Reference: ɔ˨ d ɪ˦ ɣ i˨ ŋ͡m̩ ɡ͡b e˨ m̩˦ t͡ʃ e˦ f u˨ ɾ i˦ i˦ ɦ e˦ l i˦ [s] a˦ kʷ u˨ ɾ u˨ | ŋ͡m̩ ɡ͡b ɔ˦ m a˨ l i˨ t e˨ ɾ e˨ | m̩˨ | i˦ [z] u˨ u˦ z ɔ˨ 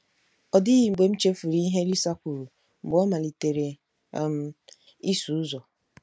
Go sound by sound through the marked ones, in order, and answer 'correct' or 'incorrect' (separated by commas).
correct, incorrect